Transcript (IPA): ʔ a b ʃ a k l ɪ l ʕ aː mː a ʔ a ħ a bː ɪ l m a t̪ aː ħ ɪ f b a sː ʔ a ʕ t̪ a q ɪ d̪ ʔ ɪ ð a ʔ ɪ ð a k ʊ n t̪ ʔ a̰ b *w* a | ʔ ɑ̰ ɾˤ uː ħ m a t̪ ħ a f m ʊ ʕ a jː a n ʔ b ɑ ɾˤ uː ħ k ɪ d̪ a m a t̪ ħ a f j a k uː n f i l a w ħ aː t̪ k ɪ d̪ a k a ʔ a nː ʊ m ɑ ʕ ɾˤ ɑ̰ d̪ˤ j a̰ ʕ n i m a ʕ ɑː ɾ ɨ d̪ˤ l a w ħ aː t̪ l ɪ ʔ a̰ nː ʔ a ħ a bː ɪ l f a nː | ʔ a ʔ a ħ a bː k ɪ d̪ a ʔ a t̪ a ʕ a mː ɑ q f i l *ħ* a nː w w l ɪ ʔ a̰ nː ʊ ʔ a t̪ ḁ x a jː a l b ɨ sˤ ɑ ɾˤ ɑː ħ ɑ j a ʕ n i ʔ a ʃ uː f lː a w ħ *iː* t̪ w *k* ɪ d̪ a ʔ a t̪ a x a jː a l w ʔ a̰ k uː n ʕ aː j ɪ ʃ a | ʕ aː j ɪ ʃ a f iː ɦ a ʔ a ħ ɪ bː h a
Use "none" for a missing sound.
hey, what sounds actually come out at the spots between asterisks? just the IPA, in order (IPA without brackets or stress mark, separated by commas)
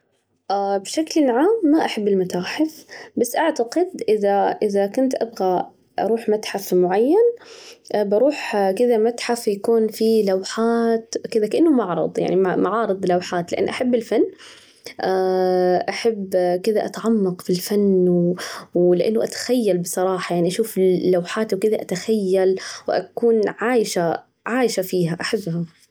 ɣ, f, aː, k